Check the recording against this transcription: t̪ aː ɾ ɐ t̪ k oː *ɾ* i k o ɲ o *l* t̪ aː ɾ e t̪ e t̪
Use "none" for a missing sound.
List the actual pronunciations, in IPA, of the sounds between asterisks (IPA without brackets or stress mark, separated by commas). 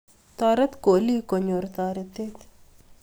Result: l, ɾ